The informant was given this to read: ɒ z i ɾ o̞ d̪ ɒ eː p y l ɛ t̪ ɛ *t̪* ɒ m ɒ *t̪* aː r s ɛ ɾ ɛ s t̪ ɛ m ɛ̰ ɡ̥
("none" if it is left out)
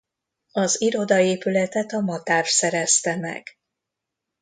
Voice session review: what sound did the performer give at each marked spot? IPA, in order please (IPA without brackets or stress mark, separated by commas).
t̪, t̪